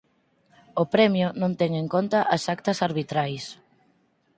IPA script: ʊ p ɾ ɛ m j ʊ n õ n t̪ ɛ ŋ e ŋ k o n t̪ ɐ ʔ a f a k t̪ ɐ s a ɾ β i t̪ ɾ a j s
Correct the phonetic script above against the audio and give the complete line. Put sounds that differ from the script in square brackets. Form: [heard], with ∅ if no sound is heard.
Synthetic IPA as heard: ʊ p ɾ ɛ m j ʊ n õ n t̪ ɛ ŋ e ŋ k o n t̪ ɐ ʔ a [s] a k t̪ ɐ s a ɾ β i t̪ ɾ a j s